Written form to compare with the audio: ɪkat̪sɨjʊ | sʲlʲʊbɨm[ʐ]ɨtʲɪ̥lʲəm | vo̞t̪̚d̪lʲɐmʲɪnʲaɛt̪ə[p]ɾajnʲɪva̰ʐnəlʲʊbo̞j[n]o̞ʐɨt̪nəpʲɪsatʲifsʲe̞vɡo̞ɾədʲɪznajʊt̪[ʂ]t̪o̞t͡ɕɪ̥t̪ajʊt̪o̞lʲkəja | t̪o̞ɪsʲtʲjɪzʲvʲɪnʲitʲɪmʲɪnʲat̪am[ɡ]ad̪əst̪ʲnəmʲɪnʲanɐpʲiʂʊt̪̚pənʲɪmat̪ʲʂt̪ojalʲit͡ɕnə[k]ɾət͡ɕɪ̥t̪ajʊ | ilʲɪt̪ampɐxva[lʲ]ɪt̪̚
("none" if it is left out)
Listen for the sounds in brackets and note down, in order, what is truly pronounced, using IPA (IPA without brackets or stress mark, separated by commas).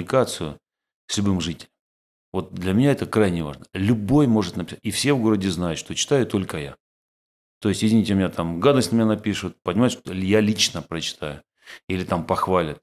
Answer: ʐ, k, m, ʂ, ɡ, p, lʲ